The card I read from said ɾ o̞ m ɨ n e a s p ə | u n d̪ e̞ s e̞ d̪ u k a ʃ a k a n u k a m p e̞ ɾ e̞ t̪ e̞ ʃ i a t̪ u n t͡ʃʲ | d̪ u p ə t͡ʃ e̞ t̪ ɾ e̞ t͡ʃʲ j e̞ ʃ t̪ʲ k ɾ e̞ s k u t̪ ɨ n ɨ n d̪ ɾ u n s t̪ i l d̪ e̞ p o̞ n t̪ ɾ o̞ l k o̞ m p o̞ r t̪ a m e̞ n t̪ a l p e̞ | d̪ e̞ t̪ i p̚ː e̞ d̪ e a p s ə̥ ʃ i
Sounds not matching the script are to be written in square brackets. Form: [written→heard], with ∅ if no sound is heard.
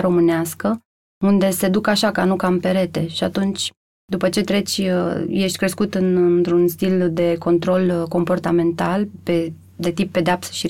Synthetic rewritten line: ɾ o̞ m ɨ n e a s [p→k] ə | u n d̪ e̞ s e̞ d̪ u k a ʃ a k a n u k a m p e̞ ɾ e̞ t̪ e̞ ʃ i a t̪ u n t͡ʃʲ | d̪ u p ə t͡ʃ e̞ t̪ ɾ e̞ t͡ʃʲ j e̞ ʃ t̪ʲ k ɾ e̞ s k u t̪ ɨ n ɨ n [d̪→t̪] ɾ u n s t̪ i l d̪ e̞ [p→k] o̞ n t̪ ɾ o̞ l k o̞ m p o̞ r t̪ a m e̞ n t̪ a l p e̞ | d̪ e̞ t̪ i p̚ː e̞ d̪ e a p s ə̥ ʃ i